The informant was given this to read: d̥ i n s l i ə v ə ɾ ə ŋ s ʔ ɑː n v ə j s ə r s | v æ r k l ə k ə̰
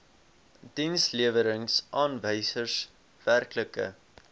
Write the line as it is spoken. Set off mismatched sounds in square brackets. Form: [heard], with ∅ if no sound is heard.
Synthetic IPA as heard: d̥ i n s l i ə v ə ɾ ə ŋ s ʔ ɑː n v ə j s ə r s | v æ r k l ə k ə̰